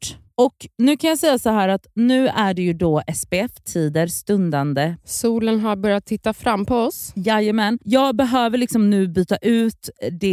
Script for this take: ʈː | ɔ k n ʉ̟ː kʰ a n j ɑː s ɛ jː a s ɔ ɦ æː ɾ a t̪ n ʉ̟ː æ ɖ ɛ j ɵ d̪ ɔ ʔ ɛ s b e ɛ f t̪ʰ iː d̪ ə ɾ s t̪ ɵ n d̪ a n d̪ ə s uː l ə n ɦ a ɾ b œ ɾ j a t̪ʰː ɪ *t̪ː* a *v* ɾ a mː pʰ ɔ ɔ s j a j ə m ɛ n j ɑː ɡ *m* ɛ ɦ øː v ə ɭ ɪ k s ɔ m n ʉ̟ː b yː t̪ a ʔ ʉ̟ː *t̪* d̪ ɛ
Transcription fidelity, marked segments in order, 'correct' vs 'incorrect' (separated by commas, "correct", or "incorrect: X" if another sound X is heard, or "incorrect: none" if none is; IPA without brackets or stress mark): correct, incorrect: f, incorrect: b, correct